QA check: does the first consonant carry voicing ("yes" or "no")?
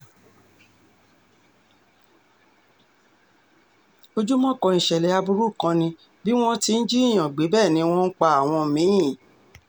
yes